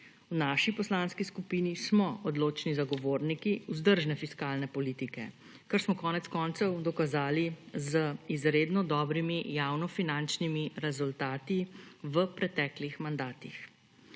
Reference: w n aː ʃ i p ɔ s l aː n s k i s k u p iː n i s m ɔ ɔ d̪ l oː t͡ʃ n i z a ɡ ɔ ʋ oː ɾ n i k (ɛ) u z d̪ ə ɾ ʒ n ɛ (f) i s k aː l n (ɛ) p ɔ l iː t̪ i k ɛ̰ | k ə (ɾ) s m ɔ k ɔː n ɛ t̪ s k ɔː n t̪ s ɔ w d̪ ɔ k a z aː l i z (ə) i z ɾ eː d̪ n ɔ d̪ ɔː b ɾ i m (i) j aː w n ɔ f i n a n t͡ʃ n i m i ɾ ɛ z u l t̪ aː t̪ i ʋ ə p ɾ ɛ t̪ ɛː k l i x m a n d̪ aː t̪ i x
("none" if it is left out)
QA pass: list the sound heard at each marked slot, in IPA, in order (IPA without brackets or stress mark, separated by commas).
i, f, ɛ, ɾ, ə, i